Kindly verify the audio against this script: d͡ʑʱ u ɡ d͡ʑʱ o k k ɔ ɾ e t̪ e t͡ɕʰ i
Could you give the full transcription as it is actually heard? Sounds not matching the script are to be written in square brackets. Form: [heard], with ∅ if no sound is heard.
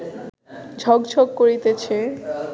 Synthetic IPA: d͡ʑʱ [ɔ] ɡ d͡ʑʱ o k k [o] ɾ [i] t̪ e t͡ɕʰ [e]